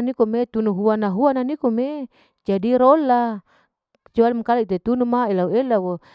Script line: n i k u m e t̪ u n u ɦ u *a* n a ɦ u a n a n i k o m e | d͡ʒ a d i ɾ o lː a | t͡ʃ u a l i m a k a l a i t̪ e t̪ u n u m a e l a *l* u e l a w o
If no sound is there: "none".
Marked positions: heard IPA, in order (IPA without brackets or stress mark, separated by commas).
a, none